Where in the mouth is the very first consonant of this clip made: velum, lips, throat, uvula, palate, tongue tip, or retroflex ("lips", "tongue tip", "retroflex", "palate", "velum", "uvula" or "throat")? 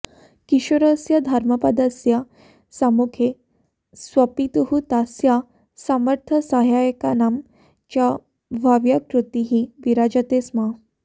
velum